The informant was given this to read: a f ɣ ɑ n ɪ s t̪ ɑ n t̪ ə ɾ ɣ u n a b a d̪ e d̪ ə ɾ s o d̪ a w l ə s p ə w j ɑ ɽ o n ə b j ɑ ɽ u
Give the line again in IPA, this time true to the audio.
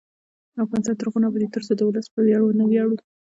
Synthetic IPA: a f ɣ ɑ n ɪ s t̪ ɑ n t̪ ə ɾ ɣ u n a b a d̪ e t̪ ə ɾ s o d̪ ə w l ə s p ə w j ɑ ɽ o n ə w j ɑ ɽ u